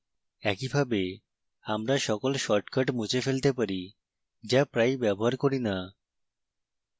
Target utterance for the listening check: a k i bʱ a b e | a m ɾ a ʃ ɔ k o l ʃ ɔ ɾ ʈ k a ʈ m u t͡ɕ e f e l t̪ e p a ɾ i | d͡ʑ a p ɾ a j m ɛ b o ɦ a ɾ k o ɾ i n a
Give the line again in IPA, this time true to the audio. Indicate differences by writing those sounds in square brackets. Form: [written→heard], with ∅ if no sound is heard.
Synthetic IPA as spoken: [a→ɛ] k i bʱ a b e | a m ɾ a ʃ ɔ k o l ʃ ɔ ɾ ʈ k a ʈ m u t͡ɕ e f e l t̪ e p a ɾ i | d͡ʑ a p ɾ a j [m→b] ɛ b o ɦ a ɾ k o ɾ i n a